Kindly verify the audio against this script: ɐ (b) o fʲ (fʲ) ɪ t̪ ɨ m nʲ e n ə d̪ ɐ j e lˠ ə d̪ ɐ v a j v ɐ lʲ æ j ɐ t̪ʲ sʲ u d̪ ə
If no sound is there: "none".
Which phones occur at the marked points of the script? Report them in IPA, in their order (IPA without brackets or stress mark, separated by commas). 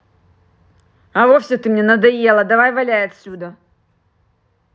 v, sʲ